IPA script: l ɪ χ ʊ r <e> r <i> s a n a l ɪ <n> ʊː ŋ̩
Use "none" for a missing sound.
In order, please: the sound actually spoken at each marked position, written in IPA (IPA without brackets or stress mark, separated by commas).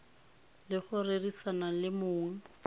e, i, m